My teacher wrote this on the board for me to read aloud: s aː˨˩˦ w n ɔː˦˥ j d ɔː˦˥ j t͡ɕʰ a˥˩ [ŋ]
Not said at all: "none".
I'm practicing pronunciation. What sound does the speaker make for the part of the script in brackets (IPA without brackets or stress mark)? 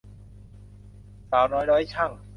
ŋ